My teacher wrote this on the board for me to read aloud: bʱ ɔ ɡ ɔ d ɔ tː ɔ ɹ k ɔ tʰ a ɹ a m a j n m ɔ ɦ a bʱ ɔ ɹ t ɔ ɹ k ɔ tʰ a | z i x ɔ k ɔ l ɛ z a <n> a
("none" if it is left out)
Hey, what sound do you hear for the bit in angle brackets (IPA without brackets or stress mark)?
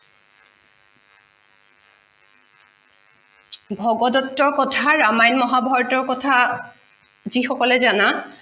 n